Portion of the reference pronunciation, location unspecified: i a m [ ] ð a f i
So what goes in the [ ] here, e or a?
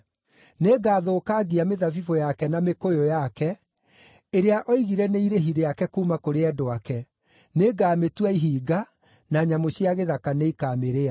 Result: e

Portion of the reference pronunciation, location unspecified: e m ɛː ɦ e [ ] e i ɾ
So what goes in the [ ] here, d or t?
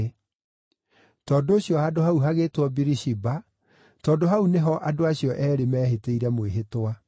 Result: t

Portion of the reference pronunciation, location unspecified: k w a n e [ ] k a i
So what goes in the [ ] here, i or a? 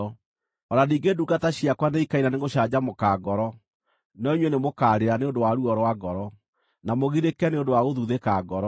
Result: i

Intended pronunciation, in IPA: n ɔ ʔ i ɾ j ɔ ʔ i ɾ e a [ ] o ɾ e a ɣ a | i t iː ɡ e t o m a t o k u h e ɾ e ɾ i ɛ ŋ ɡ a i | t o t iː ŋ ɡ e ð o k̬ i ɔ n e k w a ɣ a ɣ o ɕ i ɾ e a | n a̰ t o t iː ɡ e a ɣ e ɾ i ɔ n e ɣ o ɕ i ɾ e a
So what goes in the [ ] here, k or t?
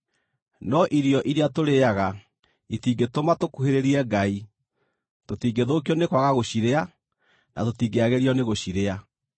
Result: t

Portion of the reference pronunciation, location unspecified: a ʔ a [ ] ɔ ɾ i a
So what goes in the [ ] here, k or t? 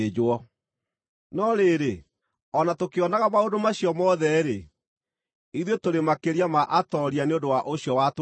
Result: t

